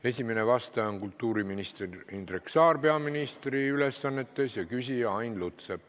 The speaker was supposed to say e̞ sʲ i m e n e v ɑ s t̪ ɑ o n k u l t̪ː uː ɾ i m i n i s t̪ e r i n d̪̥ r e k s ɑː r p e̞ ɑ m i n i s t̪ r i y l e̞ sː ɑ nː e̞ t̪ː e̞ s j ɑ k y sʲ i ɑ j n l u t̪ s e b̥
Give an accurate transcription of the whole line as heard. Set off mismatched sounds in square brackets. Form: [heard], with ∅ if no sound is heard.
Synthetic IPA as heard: e̞ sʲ i m e n e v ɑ s t̪ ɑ o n k u l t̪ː uː ɾ i m i n i s t̪ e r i n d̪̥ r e k s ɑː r p e̞ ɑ m i n i s t̪ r i y l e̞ sː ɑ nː e̞ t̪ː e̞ s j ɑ k y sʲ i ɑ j n l u t̪ s e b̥